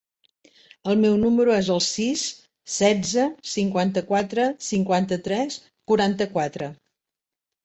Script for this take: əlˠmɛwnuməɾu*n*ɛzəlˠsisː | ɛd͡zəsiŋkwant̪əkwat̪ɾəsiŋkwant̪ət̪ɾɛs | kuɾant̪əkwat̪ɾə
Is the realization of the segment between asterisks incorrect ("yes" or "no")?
yes